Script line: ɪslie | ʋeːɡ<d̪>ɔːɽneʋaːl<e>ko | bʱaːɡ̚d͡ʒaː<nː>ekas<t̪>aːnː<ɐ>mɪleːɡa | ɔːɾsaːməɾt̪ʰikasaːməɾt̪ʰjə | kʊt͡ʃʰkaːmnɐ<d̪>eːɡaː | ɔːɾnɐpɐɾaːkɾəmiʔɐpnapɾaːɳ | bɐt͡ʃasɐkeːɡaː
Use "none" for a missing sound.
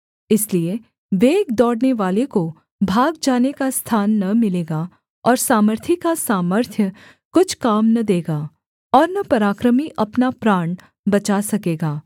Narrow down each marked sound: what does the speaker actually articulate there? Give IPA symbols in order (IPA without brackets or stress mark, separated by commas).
d̪, e, n, t̪ʰ, ɐ, d̪